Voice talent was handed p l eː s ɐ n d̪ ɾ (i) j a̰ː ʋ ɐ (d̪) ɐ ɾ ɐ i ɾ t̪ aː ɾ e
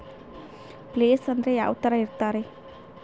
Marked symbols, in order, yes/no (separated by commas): no, no